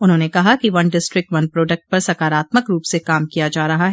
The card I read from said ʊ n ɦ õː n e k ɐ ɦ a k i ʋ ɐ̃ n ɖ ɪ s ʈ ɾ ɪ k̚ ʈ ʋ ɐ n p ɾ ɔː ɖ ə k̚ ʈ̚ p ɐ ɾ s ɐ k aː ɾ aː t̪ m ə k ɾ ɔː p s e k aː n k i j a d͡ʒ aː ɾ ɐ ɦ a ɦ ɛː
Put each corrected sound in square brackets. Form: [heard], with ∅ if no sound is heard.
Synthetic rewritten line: ʊ n ɦ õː n e k ɐ ɦ a k i ʋ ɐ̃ n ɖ ɪ s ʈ ɾ ɪ k̚ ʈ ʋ ɐ n p ɾ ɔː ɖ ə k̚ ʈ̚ p ɐ ɾ s ɐ k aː ɾ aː t̪ m ə k ɾ [uː] p s e k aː [m] k i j a d͡ʒ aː ɾ ɐ ɦ a ɦ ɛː